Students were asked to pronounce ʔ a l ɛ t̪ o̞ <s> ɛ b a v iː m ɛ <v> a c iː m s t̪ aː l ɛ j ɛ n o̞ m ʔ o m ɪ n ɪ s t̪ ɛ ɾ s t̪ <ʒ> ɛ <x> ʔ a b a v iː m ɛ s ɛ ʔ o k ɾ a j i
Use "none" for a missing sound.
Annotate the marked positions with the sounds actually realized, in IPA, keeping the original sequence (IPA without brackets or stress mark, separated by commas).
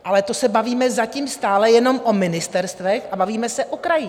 s, z, v, x